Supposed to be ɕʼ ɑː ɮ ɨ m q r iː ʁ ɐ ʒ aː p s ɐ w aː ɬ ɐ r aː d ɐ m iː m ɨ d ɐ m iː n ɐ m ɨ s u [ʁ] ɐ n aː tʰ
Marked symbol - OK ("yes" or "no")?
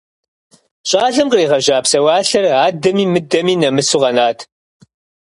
yes